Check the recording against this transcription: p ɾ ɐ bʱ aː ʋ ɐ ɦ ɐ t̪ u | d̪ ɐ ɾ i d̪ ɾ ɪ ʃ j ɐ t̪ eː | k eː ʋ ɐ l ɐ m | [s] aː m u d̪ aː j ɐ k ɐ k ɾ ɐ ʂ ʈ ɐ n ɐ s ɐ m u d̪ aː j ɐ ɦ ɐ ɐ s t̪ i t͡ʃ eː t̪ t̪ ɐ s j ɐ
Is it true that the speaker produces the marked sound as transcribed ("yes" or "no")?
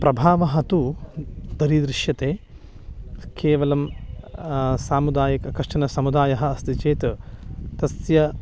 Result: yes